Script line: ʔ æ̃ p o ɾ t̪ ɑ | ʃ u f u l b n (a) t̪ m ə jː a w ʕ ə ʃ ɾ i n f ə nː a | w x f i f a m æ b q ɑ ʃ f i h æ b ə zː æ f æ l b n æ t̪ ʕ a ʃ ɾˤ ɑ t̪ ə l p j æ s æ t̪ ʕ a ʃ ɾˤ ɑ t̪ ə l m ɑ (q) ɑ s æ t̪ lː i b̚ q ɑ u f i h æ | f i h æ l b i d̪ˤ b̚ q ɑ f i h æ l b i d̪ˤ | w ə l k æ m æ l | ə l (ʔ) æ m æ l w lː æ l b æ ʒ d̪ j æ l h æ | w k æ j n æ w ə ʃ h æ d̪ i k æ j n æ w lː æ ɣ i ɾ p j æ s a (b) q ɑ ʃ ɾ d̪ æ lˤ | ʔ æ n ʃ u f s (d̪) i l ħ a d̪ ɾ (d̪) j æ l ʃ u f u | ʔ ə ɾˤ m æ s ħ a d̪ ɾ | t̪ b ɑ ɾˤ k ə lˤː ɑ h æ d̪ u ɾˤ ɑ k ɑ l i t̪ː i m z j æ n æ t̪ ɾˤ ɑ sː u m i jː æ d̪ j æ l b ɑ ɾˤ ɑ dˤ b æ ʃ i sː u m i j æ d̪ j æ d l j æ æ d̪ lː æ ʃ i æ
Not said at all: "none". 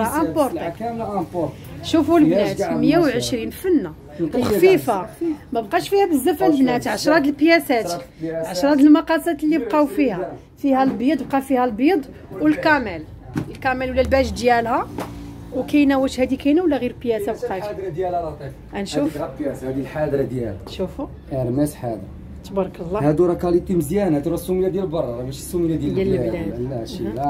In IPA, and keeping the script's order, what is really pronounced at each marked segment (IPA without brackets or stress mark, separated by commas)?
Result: æ, q, k, b, d̪, d̪